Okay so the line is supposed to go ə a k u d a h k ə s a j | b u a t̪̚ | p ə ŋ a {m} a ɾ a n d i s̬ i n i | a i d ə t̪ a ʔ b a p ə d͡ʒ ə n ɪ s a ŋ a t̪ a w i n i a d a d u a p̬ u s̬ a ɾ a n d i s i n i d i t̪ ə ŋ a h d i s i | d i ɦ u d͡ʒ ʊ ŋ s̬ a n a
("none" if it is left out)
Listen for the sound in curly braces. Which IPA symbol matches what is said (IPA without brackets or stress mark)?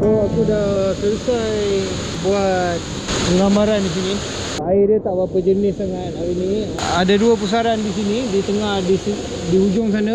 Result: m